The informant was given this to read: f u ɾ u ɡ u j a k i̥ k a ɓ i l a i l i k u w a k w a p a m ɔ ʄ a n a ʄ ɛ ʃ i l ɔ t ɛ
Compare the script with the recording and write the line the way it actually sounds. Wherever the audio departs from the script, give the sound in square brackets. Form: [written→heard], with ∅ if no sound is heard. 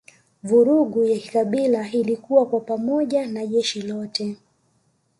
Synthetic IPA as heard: [f→v] u ɾ u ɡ u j a k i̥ k a ɓ i l a i l i k u w a k w a p a m ɔ ʄ a n a ʄ ɛ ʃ i l ɔ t ɛ